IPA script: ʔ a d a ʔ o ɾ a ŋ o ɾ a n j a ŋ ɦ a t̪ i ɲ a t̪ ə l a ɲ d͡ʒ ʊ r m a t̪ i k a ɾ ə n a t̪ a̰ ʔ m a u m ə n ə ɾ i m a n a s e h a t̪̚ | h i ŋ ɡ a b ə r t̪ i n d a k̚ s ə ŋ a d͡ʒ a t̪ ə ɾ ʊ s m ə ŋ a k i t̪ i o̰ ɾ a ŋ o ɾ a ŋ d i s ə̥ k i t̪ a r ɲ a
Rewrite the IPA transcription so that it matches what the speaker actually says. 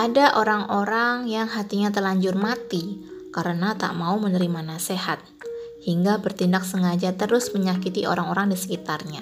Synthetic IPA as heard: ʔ a d a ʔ o ɾ a ŋ o ɾ a ŋ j a ŋ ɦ a t̪ i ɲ a t̪ ə l a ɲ d͡ʒ ʊ r m a t̪ i k a ɾ ə n a t̪ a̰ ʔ m a u m ə n ə ɾ i m a n a s e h a t̪̚ | h i ŋ ɡ a b ə r t̪ i n d a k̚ s ə ŋ a d͡ʒ a t̪ ə ɾ ʊ s m ə ɲ a k i t̪ i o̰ ɾ a ŋ o ɾ a ŋ d i s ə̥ k i t̪ a r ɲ a